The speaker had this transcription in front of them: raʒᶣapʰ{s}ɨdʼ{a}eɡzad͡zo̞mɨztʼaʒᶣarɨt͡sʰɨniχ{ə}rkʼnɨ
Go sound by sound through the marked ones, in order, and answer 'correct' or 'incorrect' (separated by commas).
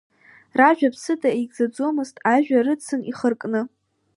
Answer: correct, correct, correct